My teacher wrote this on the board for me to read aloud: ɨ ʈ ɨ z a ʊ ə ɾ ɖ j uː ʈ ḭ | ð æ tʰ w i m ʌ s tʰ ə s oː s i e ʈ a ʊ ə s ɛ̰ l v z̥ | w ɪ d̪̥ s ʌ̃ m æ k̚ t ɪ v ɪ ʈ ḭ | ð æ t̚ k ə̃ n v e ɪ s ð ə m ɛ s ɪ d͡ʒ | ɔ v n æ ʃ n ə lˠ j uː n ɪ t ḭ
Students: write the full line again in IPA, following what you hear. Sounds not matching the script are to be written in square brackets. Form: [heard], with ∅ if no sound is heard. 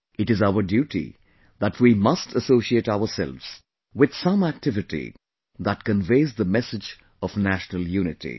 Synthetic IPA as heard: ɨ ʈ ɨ z a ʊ ə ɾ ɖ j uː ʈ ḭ | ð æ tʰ w i m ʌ s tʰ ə s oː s i e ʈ a ʊ ə s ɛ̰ l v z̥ | w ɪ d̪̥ s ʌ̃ m æ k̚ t ɪ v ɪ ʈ ḭ | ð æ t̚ k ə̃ n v e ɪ [z] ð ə m ɛ s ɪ d͡ʒ | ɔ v n æ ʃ n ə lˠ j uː n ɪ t ḭ